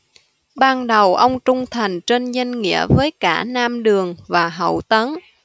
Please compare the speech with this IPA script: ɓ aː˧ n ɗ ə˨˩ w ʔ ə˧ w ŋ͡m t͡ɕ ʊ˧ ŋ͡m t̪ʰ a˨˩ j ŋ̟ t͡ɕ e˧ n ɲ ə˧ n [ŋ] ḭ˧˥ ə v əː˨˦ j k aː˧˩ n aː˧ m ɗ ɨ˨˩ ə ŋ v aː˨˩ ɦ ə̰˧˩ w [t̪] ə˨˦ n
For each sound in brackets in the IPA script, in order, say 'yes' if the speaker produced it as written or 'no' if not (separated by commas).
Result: yes, yes